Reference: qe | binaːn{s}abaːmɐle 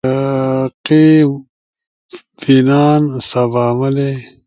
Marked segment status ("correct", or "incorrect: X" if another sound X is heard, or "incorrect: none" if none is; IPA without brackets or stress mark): correct